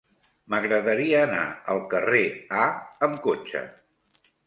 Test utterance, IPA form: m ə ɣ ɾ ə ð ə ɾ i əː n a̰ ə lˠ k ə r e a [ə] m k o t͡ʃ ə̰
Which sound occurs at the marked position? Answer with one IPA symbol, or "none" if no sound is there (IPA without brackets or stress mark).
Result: ə